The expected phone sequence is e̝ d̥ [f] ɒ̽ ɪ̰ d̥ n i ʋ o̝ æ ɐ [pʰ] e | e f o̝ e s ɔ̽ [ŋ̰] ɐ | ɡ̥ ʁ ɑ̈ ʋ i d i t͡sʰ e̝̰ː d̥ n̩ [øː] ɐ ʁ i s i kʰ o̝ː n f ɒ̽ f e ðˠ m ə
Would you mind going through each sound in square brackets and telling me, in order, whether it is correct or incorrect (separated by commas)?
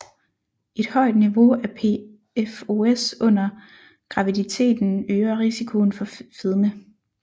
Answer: incorrect, correct, incorrect, correct